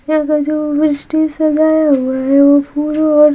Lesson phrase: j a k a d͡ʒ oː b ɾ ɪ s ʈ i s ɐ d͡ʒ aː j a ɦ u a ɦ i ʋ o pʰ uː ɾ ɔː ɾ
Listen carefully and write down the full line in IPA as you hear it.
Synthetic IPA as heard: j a k a d͡ʒ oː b ɾ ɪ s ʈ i s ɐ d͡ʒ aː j a ɦ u a ɦ ɛ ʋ o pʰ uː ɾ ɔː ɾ